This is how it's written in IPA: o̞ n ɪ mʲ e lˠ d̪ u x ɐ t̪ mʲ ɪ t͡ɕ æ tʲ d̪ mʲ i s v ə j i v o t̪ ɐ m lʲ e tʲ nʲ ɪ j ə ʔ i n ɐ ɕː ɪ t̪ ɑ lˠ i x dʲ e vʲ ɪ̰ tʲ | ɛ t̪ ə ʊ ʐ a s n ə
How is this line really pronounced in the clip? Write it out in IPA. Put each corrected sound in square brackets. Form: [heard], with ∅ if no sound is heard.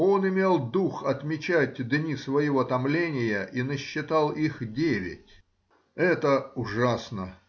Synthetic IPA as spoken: o̞ n ɪ mʲ e lˠ d̪ u x ɐ t̪ mʲ ɪ t͡ɕ æ tʲ d̪ [nʲ] i s v ə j [ɪ] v o t̪ ɐ m lʲ e [∅] nʲ ɪ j ə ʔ i n [ə] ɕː ɪ t̪ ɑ lˠ i x dʲ e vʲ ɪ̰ tʲ | ɛ t̪ ə ʊ ʐ a s n ə